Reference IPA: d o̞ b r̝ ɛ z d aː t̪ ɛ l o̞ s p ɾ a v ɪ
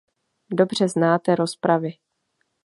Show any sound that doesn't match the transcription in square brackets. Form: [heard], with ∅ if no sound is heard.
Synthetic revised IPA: d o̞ b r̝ ɛ z [n] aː t̪ ɛ [ɾ] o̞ s p ɾ a v ɪ

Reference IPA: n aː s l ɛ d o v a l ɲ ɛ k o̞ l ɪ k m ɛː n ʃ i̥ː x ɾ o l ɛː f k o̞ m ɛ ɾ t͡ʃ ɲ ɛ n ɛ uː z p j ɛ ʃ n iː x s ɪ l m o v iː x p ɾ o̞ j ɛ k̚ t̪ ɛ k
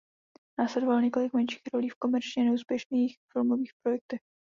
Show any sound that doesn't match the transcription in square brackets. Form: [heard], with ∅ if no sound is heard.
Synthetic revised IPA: n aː s l ɛ d o v a l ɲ ɛ k o̞ l ɪ k m [ɛ] n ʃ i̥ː x ɾ o l [iː] f k o̞ m ɛ ɾ t͡ʃ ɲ ɛ n ɛ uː [s] p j ɛ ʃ n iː x [f] ɪ l m o v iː x p ɾ o̞ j ɛ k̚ t̪ ɛ [x]

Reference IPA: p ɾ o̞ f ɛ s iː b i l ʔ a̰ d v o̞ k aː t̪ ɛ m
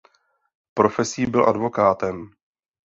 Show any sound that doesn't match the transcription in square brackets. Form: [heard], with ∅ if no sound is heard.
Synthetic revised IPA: p ɾ o̞ f ɛ s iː b [ɪ] l ʔ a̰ d v o̞ k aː t̪ ɛ m

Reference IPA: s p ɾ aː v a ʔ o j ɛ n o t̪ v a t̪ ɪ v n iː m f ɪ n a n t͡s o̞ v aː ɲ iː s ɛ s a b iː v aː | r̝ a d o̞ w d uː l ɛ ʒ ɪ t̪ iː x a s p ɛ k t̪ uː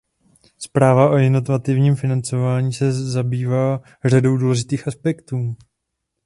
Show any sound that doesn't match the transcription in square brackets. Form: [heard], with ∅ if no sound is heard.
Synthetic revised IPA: s p ɾ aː v a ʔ o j ɛ n o t̪ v a t̪ ɪ v [ɲ] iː m f ɪ n a n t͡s o̞ v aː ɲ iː s ɛ [z] a b iː v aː | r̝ a d o̞ w d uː l ɛ ʒ ɪ t̪ iː x a s p ɛ k t̪ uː

